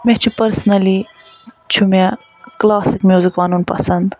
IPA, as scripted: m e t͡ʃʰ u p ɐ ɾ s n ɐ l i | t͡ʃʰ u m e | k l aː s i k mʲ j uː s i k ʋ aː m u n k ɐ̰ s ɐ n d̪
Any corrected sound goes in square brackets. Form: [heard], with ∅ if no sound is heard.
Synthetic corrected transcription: m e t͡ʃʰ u p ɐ ɾ s n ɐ l i | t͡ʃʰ u m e | k l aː s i k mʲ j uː [z] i k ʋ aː [n] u n [p] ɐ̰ s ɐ n d̪